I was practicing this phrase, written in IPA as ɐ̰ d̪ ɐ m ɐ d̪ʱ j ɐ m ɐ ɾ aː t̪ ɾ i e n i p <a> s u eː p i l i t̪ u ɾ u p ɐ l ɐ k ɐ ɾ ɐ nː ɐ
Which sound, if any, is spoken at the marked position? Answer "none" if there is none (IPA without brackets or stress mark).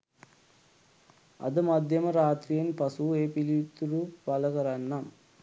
ɐ